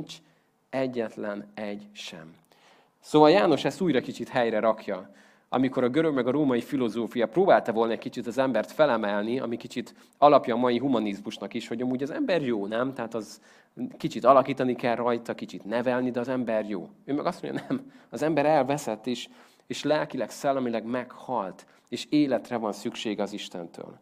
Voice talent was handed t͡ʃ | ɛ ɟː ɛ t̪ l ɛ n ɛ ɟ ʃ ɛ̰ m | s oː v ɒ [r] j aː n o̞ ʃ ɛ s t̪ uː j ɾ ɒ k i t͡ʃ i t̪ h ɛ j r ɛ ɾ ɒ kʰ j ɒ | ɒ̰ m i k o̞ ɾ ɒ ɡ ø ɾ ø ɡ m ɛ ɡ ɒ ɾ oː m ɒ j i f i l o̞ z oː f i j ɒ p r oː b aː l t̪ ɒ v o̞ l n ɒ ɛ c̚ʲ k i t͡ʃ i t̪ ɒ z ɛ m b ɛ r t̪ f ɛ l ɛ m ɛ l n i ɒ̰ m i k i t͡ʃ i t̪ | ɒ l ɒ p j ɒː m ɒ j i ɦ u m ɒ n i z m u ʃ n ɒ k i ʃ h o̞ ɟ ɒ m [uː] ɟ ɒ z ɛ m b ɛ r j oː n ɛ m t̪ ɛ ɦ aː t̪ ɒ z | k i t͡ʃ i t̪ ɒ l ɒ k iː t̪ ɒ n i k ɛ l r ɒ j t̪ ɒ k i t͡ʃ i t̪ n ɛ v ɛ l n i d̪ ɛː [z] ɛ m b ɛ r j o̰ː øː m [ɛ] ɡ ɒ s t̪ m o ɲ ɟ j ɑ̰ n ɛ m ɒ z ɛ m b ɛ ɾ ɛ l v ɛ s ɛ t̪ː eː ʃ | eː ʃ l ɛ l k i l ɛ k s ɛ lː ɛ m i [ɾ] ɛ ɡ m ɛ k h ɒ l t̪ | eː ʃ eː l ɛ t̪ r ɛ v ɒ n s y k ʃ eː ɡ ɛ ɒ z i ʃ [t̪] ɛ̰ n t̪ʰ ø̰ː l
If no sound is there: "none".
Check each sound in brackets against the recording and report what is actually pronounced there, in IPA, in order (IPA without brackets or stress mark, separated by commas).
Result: l, uː, z, ɛ, l, t̪